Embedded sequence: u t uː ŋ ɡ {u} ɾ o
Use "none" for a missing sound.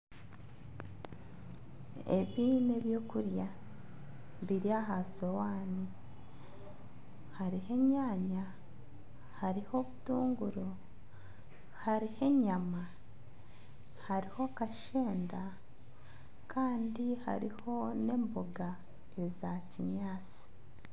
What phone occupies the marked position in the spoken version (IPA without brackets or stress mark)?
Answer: u